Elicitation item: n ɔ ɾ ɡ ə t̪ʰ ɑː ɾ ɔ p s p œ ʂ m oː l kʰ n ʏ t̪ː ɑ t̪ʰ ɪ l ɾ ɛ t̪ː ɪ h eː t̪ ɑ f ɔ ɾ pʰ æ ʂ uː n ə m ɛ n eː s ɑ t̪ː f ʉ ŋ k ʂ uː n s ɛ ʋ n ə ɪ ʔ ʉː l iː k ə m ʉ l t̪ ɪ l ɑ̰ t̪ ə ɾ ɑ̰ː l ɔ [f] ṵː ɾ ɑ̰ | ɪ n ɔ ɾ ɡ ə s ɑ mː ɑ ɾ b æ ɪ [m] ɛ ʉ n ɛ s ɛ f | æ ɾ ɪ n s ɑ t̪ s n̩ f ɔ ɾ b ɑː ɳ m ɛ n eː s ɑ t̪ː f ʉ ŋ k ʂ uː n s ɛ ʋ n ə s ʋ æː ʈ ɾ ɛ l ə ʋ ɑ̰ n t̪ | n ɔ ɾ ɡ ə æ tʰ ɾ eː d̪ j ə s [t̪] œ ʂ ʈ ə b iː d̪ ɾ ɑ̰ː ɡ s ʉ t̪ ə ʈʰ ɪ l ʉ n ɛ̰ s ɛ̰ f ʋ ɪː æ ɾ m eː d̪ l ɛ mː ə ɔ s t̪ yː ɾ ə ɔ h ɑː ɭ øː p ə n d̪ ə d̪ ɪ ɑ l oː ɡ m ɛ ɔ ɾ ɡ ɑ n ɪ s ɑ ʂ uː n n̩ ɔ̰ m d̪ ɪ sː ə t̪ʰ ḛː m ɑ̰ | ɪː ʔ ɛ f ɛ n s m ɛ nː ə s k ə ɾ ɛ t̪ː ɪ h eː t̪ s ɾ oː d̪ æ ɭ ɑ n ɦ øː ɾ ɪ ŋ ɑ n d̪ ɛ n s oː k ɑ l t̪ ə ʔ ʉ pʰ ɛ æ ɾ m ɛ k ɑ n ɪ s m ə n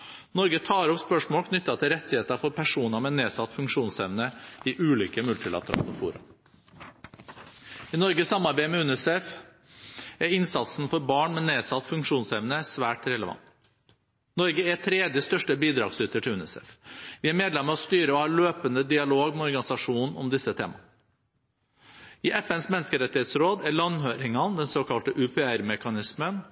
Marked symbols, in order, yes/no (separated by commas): yes, yes, yes